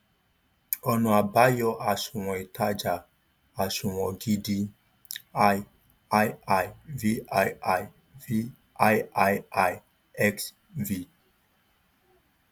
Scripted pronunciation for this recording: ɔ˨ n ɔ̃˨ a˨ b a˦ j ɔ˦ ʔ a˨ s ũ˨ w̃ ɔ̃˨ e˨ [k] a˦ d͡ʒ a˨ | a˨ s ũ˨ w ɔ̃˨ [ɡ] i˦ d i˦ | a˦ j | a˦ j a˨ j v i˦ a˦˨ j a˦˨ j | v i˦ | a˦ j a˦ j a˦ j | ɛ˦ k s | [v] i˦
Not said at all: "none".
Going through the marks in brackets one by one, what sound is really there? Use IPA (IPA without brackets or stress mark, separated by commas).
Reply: t, ɡ, v